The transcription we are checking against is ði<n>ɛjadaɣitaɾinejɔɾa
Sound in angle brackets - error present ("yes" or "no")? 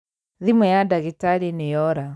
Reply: yes